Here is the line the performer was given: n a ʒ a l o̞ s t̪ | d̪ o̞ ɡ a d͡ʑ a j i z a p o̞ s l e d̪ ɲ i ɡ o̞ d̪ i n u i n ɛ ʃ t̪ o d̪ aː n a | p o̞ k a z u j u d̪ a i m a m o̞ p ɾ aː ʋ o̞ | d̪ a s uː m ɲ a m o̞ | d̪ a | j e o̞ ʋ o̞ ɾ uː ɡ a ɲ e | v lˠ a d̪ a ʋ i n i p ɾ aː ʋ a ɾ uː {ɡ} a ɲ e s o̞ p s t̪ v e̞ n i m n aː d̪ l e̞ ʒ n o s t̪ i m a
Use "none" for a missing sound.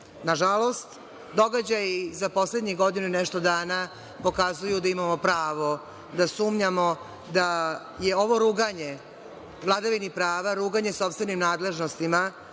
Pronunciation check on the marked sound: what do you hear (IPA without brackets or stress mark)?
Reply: ɡ